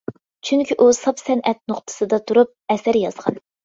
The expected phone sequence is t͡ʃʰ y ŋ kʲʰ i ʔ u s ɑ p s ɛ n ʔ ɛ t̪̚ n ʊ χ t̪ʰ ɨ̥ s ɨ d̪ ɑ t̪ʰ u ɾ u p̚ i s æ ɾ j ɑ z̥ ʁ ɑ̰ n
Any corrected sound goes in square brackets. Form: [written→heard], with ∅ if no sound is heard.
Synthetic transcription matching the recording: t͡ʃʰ y ŋ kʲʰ i ʔ u s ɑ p s ɛ n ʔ ɛ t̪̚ n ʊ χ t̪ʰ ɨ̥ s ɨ d̪ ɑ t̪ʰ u ɾ u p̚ [i→ɛ] s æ ɾ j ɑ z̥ ʁ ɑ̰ n